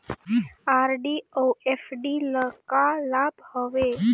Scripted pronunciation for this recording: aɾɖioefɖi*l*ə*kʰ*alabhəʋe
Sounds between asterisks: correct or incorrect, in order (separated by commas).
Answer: correct, incorrect